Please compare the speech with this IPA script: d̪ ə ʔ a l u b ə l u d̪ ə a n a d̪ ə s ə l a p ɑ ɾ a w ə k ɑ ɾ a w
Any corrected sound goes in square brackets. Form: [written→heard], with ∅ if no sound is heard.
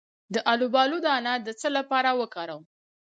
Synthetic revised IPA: d̪ ə ʔ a l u b [ə→ɑ] l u d̪ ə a n a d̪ ə [s→t͡s] ə l a p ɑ ɾ a w ə k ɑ ɾ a w